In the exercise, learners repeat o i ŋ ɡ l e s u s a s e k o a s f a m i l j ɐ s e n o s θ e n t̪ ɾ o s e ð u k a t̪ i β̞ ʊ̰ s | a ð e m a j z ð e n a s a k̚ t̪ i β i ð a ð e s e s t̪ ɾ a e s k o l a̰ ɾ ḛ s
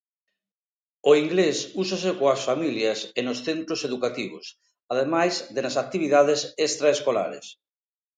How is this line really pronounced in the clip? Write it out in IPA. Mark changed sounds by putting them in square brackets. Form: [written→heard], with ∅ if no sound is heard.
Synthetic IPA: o i ŋ ɡ l e s u s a s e k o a s f a m i l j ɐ s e n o s θ e n t̪ ɾ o s e ð u k a t̪ i β̞ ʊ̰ s | a ð e m a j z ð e n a s a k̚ t̪ i β i ð a ð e s e s t̪ ɾ a e s k o l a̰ ɾ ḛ s